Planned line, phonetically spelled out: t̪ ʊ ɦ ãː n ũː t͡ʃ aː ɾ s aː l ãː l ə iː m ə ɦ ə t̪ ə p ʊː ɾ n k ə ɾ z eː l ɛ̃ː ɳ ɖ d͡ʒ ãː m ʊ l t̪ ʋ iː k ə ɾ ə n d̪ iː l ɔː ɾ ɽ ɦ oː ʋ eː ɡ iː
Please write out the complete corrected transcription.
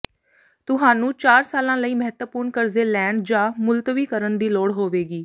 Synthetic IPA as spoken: t̪ ʊ ɦ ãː n ũː t͡ʃ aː ɾ s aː l ãː l ə iː m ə ɦ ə t̪ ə p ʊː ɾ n k ə ɾ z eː l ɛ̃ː ɳ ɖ d͡ʒ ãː m ʊ l t̪ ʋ iː k ə ɾ ə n d̪ iː l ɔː ɽ ɦ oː ʋ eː ɡ iː